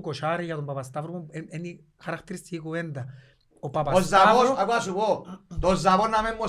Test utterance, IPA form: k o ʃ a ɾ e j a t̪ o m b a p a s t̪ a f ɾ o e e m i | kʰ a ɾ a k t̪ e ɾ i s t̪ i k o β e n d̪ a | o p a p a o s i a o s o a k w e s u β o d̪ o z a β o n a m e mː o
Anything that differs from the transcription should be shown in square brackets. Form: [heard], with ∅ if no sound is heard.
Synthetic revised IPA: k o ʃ a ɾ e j a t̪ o m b a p a s t̪ a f ɾ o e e [n] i | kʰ a ɾ a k t̪ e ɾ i s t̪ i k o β e n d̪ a | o p a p a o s [a] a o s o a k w [a] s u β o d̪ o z a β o n a m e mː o